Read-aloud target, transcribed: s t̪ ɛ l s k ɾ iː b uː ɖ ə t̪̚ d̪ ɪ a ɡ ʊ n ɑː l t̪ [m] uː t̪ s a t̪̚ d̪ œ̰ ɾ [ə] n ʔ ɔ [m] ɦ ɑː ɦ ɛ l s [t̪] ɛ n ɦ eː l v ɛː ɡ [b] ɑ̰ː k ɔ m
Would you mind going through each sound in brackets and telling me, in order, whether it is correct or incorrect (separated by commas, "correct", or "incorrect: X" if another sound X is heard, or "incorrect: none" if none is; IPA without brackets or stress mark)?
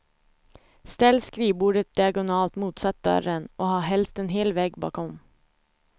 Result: correct, correct, incorrect: none, correct, correct